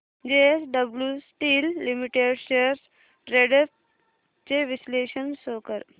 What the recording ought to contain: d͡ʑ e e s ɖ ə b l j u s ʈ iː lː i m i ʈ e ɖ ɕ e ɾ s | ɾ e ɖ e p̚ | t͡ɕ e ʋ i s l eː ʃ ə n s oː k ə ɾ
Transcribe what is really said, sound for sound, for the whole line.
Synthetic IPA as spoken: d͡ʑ e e s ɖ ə b l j u s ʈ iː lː i m i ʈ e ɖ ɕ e ɾ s | ɾ e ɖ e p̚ | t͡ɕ e ʋ i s l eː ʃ ə n s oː k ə ɾ